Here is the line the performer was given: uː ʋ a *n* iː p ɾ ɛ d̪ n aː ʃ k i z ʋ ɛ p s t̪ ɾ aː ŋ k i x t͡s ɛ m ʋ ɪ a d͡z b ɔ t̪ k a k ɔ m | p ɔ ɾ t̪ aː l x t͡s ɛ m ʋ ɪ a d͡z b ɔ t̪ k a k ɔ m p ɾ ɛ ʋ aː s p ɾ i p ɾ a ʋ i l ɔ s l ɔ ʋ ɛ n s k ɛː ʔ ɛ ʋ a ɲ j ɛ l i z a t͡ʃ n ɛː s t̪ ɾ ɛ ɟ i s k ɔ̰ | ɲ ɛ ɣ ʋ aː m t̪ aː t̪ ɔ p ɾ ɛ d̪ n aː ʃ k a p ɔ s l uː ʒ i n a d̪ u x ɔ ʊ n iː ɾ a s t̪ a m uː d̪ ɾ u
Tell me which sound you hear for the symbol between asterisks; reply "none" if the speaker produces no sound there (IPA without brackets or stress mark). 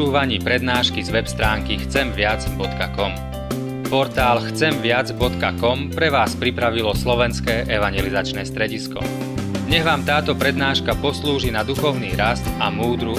ɲ